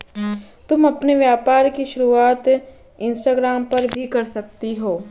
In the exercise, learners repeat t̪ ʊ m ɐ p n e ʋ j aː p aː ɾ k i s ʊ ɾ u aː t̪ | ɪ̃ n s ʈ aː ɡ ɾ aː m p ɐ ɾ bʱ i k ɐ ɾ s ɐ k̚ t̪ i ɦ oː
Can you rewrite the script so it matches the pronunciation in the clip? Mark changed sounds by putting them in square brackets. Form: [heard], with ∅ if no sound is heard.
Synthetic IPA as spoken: t̪ ʊ m ɐ p n e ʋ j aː p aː ɾ k i [ʃ] ʊ ɾ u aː t̪ | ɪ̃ n s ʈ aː ɡ ɾ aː m p ɐ ɾ bʱ i k ɐ ɾ s ɐ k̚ t̪ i ɦ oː